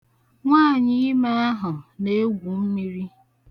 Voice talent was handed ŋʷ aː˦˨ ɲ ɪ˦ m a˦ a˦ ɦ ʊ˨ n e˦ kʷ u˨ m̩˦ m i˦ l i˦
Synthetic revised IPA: ŋʷ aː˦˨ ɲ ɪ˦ m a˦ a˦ ɦ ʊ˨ n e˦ ɡʷ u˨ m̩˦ m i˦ ɾ i˦